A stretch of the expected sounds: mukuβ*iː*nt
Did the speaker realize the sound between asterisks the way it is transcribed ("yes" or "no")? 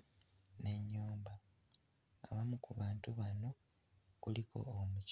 no